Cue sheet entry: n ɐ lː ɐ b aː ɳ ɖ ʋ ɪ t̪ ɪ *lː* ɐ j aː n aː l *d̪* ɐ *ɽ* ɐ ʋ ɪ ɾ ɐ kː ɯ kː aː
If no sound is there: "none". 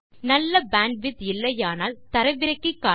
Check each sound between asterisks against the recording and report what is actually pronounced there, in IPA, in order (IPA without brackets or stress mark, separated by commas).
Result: lː, t̪, ɾ